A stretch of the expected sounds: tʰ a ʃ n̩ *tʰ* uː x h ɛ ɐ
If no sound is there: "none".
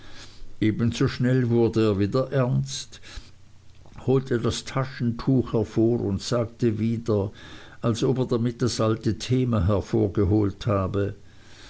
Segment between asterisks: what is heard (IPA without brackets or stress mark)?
tʰ